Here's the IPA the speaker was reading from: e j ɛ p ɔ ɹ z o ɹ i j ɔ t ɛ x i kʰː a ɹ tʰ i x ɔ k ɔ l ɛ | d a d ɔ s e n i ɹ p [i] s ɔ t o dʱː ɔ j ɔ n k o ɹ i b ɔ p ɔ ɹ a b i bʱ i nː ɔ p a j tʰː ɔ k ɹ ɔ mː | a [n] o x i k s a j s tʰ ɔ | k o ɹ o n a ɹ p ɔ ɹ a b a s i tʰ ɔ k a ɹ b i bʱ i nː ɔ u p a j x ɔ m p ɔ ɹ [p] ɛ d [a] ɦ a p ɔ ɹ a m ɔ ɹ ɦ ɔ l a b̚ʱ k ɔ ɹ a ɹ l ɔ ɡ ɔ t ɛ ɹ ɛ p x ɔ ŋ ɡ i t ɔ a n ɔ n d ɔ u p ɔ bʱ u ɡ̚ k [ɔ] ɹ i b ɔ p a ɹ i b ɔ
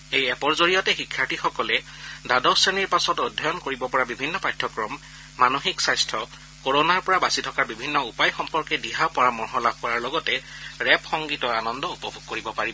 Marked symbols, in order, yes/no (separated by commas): no, yes, no, no, no